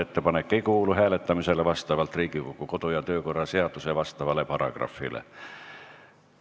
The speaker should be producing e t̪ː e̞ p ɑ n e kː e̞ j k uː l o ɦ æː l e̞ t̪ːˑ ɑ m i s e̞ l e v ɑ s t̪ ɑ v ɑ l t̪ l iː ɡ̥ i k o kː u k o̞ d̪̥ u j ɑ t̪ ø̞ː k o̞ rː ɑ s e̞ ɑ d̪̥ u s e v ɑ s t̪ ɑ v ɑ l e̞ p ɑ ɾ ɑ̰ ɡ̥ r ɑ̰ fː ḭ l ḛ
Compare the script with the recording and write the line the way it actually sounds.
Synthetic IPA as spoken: e t̪ː e̞ p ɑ n e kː e̞ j k uː l u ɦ æː l e̞ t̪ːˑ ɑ m i s e̞ l e v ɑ s t̪ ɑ v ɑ l t̪ r iː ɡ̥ i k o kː u k o̞ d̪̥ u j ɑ t̪ ø̞ː k o̞ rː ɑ s e̞ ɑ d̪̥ u s e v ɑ s t̪ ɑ v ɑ l e̞ p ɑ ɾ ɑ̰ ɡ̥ r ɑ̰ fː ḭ l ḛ